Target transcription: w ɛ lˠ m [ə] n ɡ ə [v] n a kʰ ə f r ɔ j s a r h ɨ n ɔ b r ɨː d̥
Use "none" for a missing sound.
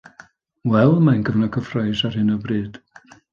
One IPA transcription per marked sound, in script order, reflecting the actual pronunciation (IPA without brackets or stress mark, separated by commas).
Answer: a, v